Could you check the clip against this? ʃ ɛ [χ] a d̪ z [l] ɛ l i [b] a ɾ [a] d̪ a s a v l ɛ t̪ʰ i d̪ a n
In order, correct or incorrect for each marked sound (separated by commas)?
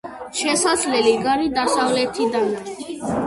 incorrect, correct, incorrect, incorrect